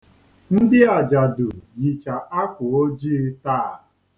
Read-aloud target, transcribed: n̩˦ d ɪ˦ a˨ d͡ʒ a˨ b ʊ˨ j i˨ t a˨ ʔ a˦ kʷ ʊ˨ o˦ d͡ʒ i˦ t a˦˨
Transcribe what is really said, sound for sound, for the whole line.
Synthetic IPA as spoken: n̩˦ d ɪ˦ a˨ d͡ʒ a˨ d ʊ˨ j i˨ t͡ʃ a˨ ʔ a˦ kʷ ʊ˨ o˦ d͡ʒ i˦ t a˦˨

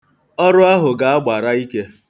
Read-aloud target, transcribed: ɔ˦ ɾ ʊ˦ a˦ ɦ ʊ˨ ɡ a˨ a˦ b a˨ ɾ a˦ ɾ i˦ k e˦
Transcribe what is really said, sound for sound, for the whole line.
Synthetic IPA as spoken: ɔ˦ ɾ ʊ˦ a˦ ɦ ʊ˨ ɡ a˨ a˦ ɡ͡b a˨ ɾ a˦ i˦ k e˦

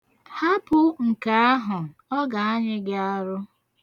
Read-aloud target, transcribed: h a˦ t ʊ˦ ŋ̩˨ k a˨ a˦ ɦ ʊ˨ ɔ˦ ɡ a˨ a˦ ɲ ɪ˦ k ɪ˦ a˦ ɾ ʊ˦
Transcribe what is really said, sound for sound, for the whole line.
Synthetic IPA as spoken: h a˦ p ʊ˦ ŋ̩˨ k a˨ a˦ ɦ ʊ˨ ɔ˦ ɡ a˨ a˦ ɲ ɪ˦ ɡ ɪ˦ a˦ ɾ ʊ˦

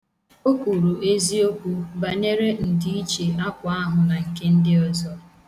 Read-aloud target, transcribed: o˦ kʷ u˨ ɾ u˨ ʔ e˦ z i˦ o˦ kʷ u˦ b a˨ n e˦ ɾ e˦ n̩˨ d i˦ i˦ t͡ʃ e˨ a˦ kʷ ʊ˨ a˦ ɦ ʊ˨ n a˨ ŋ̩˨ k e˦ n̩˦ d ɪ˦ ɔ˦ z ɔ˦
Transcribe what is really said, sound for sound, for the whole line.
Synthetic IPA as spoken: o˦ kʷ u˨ ɾ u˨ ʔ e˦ z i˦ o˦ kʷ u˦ b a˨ n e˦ ɾ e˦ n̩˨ d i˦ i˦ t͡ʃ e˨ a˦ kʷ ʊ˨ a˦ ɦ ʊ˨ n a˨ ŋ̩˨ k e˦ n̩˦ d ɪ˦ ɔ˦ z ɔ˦

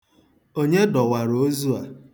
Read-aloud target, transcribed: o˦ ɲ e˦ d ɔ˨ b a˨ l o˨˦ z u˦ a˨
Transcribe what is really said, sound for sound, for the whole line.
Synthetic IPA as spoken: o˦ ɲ e˦ d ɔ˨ w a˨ ɾ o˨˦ z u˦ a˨

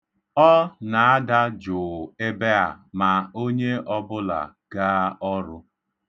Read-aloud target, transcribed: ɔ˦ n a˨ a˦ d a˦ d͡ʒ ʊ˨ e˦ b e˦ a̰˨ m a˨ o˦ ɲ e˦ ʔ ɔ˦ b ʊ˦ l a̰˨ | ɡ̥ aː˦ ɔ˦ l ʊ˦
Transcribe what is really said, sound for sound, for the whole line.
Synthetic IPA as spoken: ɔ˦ n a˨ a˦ d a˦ d͡ʒ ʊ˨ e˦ b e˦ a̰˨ m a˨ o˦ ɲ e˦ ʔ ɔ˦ b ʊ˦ l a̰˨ | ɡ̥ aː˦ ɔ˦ ɾ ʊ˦

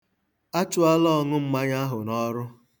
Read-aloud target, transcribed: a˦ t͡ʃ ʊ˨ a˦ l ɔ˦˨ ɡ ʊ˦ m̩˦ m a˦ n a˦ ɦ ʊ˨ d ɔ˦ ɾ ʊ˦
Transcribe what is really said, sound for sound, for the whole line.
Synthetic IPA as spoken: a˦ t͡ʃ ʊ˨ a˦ l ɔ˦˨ ŋ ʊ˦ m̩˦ m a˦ ɲ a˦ ɦ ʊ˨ n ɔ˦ ɾ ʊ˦

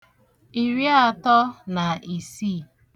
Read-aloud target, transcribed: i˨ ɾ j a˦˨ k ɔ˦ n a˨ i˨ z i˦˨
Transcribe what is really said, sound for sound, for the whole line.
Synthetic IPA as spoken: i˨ ɾ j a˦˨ t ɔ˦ n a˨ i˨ s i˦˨

